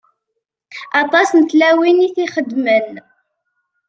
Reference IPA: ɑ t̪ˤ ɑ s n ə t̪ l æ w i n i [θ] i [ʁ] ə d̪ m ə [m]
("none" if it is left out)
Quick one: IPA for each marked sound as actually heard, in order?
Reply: θ, χ, n

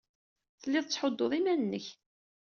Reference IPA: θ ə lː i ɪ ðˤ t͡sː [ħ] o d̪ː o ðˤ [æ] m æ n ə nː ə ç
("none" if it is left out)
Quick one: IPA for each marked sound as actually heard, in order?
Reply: ħ, i

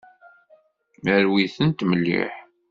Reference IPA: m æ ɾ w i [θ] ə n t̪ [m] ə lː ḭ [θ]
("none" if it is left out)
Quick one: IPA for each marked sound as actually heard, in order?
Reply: θ, m, ħ

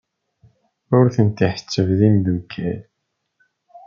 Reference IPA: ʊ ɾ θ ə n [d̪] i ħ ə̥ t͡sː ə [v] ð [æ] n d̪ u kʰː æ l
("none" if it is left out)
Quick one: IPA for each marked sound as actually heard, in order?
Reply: t̪, v, i

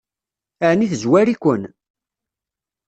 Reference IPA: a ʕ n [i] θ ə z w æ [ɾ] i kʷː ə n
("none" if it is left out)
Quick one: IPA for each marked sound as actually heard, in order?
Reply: i, ɾ

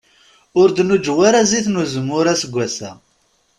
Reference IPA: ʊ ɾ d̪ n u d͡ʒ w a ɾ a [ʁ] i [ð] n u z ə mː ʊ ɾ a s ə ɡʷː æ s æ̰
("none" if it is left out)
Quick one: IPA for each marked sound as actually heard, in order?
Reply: z, θ

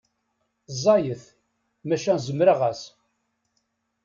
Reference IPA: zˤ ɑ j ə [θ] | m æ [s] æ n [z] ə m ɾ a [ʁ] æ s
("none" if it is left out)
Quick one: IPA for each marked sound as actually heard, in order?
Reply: θ, ʃ, z, ʁ

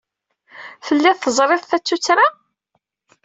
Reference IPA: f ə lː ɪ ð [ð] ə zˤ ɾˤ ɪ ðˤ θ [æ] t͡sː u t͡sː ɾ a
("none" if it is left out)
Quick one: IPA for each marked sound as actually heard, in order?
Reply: θ, æ

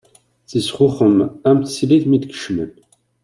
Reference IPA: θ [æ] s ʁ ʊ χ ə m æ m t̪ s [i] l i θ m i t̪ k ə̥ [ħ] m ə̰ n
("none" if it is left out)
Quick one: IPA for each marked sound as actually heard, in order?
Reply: i, i, ʃ

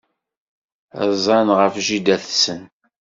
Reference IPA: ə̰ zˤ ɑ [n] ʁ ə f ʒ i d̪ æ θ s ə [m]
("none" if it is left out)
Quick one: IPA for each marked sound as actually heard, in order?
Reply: n, n

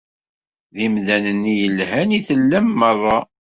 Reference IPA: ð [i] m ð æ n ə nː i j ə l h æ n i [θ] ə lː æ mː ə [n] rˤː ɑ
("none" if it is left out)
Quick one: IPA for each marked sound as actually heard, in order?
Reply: i, θ, none

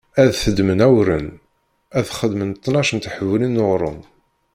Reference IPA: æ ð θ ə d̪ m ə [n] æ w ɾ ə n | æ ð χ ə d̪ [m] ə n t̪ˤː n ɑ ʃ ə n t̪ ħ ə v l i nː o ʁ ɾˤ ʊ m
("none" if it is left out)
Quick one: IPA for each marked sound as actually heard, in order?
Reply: n, m

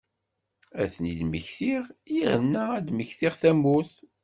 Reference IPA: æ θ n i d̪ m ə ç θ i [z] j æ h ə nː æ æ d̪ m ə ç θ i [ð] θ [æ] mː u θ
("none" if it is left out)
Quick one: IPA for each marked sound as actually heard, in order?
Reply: ʁ, ʁ, æ

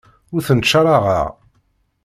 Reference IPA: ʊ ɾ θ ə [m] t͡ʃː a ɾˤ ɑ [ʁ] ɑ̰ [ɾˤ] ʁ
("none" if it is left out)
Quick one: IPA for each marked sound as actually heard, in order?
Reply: n, ʁ, none

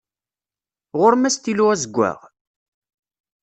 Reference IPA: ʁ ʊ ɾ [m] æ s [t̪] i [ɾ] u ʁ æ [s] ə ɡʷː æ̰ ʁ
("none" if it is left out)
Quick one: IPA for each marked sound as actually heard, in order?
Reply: m, t̪, l, z

